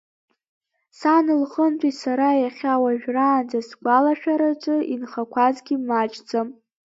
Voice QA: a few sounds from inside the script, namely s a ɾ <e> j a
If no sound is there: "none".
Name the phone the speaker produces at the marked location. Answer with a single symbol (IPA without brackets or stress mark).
a